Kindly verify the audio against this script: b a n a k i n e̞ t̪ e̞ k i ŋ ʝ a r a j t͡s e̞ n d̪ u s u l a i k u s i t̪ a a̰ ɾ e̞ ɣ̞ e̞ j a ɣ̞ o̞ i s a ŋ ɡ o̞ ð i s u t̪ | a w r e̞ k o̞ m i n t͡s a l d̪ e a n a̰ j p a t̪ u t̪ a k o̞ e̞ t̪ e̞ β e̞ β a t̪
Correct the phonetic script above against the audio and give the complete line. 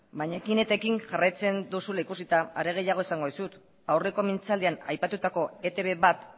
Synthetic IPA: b a ɲ a k i n e̞ t̪ e̞ k i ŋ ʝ a r a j t͡s e̞ n d̪ u s u l a i k u s i t̪ a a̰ ɾ e̞ ɣ̞ e̞ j a ɣ̞ o̞ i s a ŋ ɡ o̞ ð i s u t̪ | a w r e̞ k o̞ m i n t͡s a l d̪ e a n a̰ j p a t̪ u t̪ a k o̞ e̞ t̪ e̞ β e̞ β a t̪